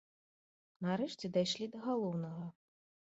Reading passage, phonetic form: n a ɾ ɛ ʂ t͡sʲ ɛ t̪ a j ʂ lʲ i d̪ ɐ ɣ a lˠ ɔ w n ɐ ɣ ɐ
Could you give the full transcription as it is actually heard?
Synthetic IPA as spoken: n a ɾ ɛ ʂ t͡sʲ ɛ d̪ a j ʂ lʲ i d̪ ɐ ɣ a lˠ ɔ w n ɐ ɣ ɐ